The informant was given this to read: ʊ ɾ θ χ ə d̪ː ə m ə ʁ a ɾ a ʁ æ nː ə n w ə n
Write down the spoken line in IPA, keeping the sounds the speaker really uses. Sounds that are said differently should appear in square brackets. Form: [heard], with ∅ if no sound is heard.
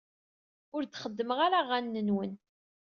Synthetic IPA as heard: ʊ ɾ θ χ ə d̪ː ə m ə ʁ a ɾ a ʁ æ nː ə n w ə n